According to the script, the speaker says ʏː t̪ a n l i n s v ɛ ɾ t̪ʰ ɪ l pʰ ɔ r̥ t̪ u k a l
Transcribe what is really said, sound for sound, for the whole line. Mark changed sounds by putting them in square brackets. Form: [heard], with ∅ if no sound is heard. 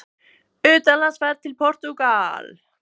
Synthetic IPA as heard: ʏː t̪ a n l [a] n s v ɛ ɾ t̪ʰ ɪ l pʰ ɔ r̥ t̪ u k a l